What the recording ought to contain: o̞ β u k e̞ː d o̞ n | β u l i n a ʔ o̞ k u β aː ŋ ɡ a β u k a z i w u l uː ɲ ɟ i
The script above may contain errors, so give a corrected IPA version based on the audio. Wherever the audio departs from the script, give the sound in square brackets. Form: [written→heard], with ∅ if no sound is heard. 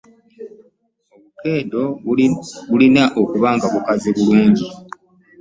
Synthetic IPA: o̞ β u k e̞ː d o̞ [n→∅] | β u l i n a ʔ o̞ k u β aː ŋ ɡ a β u k a z i [w→β] u l uː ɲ ɟ i